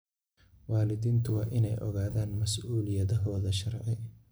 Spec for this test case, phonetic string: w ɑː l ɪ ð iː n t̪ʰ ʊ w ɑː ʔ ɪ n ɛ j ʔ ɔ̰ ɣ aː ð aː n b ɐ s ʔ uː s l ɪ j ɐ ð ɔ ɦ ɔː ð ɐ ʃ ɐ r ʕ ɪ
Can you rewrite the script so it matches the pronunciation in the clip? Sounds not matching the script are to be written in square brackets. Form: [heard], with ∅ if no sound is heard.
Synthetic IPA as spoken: w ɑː l ɪ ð iː n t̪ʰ ʊ w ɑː ʔ ɪ n ɛ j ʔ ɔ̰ ɣ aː ð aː n [m] ɐ s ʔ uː [∅] l ɪ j ɐ ð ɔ ɦ ɔː ð ɐ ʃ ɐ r ʕ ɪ